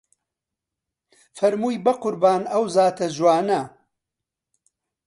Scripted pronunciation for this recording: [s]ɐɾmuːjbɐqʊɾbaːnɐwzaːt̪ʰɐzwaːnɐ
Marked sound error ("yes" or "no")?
yes